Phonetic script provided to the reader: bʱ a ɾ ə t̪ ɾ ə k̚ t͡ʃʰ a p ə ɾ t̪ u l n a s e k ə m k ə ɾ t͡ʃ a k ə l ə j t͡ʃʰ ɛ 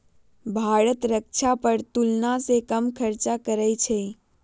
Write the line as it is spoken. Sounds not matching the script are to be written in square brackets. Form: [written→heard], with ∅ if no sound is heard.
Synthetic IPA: bʱ a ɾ ə t̪ ɾ ə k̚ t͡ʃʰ a p ə ɾ t̪ u l n a s e k ə m [k→kʰ] ə ɾ t͡ʃ a k ə [l→ɾ] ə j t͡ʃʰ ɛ